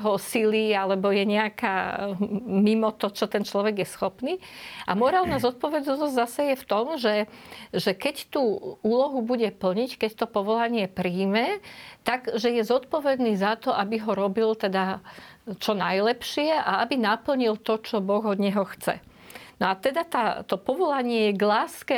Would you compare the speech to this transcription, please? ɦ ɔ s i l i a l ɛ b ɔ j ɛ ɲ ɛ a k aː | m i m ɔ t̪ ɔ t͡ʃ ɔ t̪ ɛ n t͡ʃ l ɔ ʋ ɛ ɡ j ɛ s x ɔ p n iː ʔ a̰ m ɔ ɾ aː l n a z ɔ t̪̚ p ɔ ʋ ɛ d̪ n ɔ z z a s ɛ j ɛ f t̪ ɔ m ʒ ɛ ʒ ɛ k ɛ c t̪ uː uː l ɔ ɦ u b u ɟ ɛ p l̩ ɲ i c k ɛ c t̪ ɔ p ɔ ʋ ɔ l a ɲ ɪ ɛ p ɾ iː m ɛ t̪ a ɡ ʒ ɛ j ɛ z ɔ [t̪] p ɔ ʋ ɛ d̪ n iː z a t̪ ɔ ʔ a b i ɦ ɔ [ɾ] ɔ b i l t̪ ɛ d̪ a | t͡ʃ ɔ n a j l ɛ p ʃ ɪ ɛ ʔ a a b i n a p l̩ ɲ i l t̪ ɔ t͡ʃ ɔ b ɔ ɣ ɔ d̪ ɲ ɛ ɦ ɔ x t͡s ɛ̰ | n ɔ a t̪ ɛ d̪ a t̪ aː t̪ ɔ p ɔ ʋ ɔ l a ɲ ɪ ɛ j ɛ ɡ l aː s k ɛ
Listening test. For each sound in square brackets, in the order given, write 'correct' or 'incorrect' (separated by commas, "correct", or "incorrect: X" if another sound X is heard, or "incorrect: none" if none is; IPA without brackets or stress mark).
correct, correct